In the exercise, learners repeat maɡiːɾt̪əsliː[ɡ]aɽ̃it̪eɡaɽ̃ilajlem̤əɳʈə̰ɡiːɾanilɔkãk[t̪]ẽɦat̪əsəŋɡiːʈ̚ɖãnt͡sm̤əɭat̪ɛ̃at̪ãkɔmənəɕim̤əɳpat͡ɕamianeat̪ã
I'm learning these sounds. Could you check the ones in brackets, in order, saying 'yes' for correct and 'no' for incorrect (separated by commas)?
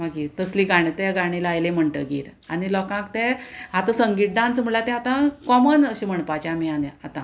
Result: yes, yes